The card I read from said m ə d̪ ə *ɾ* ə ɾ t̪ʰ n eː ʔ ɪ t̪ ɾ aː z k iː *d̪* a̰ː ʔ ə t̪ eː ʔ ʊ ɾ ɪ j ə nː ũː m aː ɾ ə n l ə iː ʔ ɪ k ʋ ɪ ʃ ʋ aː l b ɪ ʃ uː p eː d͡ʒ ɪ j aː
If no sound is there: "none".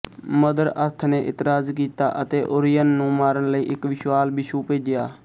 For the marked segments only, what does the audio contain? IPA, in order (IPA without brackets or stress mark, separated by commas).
ɾ, t̪